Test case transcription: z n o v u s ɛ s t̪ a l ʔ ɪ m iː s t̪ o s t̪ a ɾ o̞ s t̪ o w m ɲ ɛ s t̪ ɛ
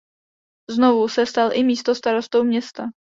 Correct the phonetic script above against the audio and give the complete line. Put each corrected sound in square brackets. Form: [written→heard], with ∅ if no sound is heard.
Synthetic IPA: z n o v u s ɛ s t̪ a l ʔ ɪ m iː s t̪ o s t̪ a ɾ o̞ s t̪ o w m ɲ ɛ s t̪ [ɛ→a]